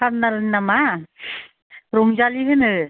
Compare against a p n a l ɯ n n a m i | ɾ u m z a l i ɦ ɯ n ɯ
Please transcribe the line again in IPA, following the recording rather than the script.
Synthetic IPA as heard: a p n a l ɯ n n a m a | ɾ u ŋ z a l i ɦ ɯ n ɯ